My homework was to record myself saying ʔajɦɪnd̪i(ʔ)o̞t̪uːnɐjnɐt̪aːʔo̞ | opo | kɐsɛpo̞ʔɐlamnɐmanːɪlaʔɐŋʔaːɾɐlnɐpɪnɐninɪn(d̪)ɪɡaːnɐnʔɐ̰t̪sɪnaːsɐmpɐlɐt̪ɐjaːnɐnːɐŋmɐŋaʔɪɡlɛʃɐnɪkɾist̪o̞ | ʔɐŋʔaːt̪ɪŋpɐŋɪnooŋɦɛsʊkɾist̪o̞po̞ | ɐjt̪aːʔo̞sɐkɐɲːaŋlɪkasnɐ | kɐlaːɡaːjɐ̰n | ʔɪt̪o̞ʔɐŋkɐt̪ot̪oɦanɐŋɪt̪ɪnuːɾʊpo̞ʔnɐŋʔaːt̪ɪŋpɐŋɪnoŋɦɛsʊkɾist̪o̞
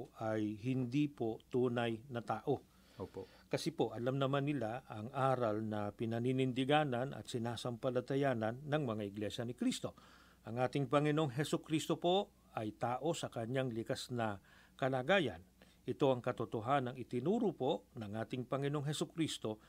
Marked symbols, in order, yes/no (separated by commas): no, yes